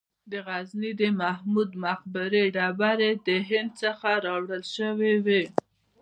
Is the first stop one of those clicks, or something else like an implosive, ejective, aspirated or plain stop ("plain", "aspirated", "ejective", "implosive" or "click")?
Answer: plain